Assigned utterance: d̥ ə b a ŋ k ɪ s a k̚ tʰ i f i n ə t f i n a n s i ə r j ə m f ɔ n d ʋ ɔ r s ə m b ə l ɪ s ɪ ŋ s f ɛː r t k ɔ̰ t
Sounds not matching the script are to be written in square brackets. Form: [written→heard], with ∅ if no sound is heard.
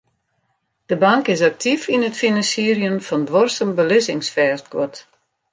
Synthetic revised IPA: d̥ ə b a ŋ k ɪ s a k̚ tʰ i f i n ə t f i n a n s i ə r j ə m f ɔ n d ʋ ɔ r s ə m b ə l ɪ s ɪ ŋ s f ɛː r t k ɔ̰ t